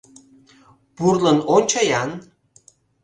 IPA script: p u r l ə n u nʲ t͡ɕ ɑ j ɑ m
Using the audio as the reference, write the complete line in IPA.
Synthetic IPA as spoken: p u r l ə n o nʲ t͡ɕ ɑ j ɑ n